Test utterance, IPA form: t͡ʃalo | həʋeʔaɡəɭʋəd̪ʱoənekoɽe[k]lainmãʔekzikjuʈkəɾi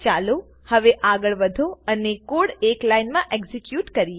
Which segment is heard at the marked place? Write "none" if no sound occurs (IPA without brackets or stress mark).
k